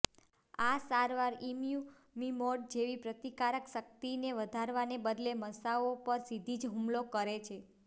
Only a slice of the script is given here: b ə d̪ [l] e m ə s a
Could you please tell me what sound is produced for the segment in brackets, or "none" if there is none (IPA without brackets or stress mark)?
l